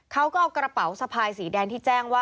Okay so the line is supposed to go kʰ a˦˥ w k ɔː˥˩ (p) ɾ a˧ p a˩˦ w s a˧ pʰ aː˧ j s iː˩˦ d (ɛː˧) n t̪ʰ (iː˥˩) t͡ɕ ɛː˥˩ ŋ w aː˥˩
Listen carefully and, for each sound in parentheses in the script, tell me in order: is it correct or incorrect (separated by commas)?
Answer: incorrect, correct, correct